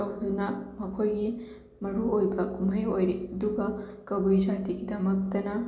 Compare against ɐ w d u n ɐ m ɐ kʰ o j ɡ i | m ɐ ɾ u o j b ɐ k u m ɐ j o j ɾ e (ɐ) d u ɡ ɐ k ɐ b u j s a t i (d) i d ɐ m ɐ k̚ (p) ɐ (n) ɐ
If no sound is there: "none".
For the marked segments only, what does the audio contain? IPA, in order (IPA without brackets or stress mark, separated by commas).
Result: ɐ, ɡ, t, n